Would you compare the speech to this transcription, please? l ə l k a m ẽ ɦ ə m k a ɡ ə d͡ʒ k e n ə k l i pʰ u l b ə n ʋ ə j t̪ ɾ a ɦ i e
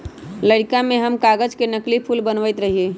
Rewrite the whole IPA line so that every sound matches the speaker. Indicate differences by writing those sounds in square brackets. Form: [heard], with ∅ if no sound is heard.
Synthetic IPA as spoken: l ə [ɽ] k a m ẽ ɦ ə m k a ɡ ə d͡ʒ k e n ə k l i pʰ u l b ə n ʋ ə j t̪ ɾ [ə] ɦ i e